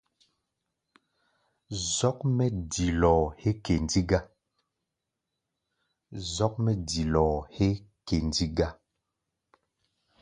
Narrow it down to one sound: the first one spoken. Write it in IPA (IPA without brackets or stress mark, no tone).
z